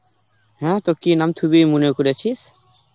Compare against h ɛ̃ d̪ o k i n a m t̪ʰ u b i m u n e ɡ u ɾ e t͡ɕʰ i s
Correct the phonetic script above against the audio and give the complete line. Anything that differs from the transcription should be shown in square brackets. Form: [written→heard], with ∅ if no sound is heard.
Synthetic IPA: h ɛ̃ [d̪→t̪] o k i n a m t̪ʰ u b i m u n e [ɡ→k] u ɾ e t͡ɕʰ i s